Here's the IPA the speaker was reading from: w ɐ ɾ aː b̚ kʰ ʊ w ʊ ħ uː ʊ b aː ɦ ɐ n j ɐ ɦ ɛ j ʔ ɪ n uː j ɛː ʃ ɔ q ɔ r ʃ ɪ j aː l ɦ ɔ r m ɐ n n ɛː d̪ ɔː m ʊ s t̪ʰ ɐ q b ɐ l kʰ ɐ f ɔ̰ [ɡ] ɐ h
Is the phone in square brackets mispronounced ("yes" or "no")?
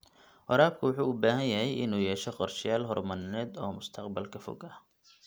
no